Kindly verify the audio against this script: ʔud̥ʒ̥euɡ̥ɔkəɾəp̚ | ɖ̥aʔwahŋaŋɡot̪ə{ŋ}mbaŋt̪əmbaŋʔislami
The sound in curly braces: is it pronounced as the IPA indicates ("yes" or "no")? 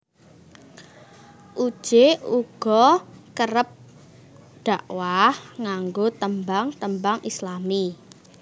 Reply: no